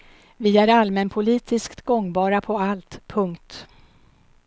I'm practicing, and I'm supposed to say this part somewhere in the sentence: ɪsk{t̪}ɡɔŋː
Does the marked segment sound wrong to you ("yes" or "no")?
no